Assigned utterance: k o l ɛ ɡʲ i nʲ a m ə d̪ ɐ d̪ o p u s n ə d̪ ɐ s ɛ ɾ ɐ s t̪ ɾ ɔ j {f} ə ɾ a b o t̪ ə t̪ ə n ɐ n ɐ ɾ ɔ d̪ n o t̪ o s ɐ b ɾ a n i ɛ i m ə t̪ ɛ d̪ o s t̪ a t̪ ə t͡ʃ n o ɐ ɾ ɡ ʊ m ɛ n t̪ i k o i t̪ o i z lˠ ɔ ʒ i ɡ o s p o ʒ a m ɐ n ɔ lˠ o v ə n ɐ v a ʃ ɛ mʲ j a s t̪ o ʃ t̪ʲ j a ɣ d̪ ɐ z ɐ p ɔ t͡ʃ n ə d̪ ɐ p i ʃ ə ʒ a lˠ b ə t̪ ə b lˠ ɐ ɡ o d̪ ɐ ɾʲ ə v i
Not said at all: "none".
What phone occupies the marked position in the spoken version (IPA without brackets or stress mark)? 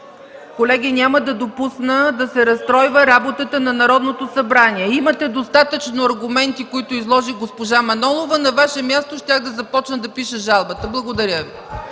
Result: v